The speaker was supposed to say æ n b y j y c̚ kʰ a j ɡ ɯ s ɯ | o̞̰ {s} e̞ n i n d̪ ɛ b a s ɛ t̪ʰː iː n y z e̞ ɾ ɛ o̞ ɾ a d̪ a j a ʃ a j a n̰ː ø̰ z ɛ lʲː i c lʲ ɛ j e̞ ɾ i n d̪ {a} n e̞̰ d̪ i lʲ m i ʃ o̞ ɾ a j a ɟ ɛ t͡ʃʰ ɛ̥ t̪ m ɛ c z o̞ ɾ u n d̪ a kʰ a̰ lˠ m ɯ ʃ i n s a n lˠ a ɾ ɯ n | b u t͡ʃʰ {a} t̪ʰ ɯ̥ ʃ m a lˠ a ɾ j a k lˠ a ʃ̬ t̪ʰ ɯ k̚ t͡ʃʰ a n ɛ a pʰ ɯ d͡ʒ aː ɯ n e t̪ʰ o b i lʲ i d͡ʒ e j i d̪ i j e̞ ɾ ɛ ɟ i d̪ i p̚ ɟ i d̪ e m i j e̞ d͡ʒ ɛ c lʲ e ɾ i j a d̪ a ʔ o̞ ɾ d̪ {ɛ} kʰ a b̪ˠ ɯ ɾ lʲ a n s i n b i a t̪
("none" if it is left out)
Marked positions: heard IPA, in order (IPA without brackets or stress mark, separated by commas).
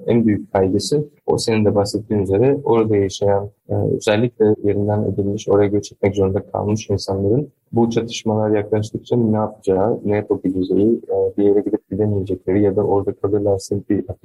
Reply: s, æ, a, a